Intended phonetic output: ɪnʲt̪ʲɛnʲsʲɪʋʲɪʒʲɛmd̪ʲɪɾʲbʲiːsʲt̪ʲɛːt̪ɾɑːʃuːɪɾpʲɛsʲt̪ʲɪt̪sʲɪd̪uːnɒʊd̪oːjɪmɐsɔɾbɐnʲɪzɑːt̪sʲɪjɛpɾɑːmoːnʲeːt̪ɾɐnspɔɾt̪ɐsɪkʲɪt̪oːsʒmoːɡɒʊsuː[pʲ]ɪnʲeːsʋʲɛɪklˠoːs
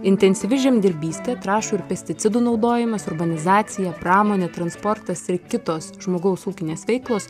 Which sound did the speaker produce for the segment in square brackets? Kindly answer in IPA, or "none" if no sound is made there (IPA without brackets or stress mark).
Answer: kʲ